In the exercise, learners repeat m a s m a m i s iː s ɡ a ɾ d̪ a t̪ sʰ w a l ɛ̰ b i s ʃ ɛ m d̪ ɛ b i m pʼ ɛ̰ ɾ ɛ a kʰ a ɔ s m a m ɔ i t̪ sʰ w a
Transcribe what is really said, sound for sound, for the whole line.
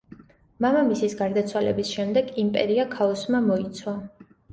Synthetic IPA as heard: m a m a m i s i s ɡ a ɾ d̪ a t̪ sʰ w a l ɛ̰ b i s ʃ ɛ m d̪ ɛ ɡ i m pʼ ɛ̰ ɾ i a kʰ a ɔ s m a m ɔ i t̪ sʰ w a